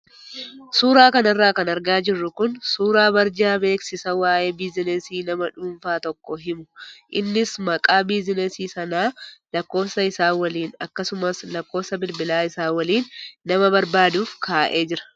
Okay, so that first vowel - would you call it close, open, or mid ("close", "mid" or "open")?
close